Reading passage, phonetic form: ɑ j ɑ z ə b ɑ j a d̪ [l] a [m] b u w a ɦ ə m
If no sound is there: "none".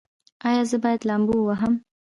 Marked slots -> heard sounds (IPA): l, m

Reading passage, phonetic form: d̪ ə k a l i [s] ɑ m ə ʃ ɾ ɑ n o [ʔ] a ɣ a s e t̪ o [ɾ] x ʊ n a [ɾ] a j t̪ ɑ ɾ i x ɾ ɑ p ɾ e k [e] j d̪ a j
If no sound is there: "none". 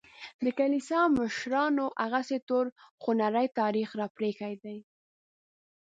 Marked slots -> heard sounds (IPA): s, ʔ, ɾ, ɾ, a

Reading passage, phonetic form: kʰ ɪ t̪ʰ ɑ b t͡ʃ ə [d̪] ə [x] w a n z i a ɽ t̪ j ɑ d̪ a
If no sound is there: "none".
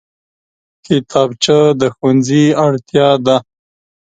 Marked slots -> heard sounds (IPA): d̪, x

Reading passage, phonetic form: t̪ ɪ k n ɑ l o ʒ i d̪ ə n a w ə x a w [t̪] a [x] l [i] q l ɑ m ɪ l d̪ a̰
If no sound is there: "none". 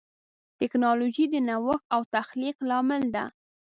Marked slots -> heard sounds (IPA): t̪, x, i

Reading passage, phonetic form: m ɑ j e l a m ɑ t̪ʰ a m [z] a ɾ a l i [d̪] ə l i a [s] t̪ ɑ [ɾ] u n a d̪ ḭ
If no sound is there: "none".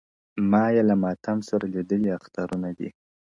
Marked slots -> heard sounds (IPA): s, d̪, x, ɾ

